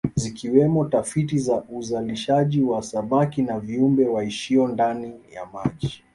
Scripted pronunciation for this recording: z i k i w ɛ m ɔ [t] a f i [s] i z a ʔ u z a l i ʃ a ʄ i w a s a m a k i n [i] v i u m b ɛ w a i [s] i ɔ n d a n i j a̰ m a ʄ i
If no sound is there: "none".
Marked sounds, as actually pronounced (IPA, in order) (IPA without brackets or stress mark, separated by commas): t, t, a, ʃ